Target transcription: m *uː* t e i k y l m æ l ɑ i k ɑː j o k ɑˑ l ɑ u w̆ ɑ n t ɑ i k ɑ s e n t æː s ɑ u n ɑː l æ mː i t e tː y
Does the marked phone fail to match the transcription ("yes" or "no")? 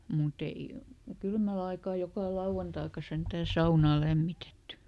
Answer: yes